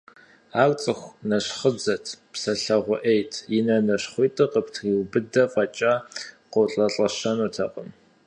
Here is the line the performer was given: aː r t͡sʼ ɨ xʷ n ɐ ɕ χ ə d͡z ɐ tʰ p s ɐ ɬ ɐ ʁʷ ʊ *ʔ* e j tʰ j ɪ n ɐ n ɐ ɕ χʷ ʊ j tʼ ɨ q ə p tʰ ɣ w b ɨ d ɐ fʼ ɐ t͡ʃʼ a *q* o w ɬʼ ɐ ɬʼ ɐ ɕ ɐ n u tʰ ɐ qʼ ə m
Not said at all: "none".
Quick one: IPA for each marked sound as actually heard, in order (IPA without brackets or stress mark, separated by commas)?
ʔ, q